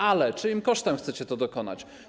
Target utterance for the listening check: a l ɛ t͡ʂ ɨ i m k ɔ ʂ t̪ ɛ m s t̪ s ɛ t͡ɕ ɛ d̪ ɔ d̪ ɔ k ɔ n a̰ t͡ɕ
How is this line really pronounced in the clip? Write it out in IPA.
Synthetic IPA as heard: a l ɛ t͡ʂ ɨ i m k ɔ ʂ t̪ ɛ m x t̪ s ɛ t͡ɕ ɛ t̪ ɔ d̪ ɔ k ɔ n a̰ t͡ɕ